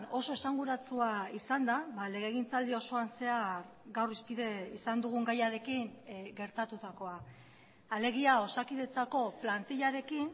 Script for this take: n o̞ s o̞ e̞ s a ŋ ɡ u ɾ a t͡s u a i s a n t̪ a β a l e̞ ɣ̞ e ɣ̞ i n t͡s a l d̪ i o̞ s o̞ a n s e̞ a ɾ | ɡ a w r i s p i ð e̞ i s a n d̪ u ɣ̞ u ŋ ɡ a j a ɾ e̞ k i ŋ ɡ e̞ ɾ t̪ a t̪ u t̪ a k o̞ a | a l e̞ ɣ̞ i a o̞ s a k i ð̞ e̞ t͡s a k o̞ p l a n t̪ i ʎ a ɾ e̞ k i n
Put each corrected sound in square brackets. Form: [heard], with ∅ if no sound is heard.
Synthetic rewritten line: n o̞ s o̞ e̞ s a ŋ ɡ u ɾ a t͡s u a i s a n [d̪] a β a l e̞ ɣ̞ e ɣ̞ i n t͡s a l d̪ i o̞ s o̞ a n s e̞ a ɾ | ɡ a w r i s p i ð e̞ i s a n d̪ u ɣ̞ u ŋ ɡ a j a ɾ e̞ k i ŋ ɡ e̞ ɾ t̪ a t̪ u t̪ a k o̞ a | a l e̞ ɣ̞ i a o̞ s a k i ð̞ e̞ t͡s a k o̞ p l a n t̪ i ʎ a ɾ e̞ k i n